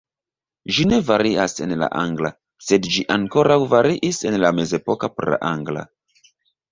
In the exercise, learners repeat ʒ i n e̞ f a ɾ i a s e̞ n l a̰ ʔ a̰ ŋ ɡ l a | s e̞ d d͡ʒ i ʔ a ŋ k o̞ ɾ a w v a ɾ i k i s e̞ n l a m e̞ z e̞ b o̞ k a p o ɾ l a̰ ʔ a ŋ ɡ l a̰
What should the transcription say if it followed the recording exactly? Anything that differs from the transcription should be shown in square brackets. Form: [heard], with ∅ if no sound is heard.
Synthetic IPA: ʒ i n e̞ [v] a ɾ i a s e̞ n l a̰ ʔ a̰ ŋ ɡ l a | s e̞ d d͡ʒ i ʔ a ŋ k o̞ ɾ a w v a ɾ i [ʔ] i s e̞ n l a m e̞ z e̞ [p] o̞ k a p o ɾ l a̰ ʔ a ŋ ɡ l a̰